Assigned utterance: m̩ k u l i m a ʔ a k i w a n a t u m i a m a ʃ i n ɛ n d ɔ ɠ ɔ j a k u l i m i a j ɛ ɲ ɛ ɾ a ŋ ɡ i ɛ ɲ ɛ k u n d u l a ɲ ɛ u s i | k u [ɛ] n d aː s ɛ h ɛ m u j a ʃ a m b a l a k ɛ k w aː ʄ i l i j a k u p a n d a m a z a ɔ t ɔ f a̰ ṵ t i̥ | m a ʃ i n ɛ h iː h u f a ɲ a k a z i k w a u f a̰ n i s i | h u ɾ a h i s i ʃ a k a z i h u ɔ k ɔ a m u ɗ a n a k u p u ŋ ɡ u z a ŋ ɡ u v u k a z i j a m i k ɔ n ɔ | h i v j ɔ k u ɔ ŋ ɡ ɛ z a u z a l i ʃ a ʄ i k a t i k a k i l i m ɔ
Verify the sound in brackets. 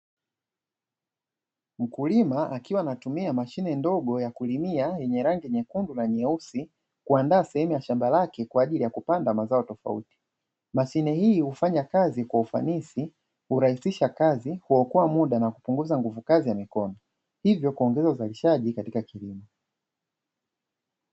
incorrect: a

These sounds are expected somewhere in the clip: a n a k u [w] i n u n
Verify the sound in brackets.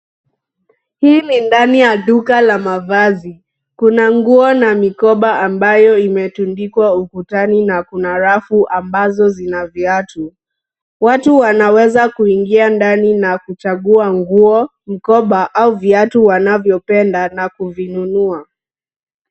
incorrect: v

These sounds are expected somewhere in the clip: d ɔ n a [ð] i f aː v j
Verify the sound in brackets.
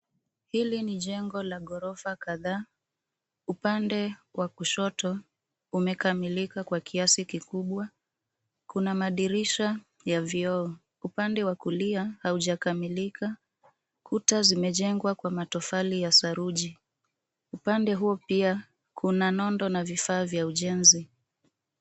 incorrect: v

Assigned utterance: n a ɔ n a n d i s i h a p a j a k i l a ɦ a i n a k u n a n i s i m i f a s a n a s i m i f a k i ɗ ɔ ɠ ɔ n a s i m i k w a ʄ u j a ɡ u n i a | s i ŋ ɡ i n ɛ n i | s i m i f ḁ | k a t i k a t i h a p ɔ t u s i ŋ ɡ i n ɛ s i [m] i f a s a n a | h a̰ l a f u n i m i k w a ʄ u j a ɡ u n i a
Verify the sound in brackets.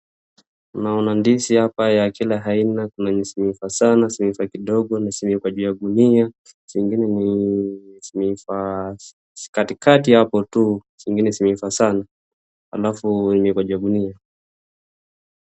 correct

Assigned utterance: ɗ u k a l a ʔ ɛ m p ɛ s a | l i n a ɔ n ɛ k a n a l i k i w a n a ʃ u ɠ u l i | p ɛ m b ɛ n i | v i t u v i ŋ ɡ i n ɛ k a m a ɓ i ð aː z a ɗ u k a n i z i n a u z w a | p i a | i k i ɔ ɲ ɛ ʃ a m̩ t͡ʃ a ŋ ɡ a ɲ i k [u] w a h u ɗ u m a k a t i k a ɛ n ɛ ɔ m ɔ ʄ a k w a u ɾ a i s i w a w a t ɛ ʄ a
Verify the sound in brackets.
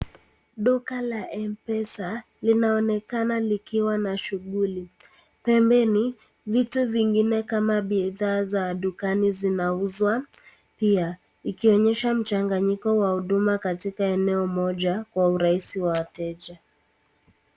incorrect: ɔ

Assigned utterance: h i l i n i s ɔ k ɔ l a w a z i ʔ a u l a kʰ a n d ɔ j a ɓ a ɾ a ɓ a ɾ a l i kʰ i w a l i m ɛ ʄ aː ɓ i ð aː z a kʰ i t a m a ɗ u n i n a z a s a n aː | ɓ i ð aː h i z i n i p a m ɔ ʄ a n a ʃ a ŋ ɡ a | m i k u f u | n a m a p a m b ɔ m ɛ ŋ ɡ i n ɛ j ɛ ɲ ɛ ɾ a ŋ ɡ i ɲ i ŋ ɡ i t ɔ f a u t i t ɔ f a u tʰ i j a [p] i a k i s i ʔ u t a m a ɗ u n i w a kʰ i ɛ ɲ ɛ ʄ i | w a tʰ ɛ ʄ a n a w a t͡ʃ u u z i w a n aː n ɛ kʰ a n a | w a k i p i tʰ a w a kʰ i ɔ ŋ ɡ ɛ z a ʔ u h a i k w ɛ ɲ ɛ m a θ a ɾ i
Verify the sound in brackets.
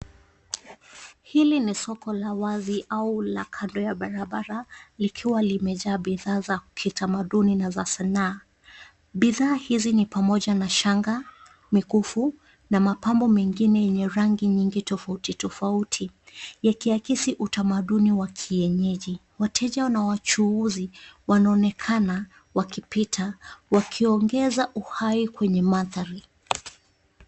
incorrect: k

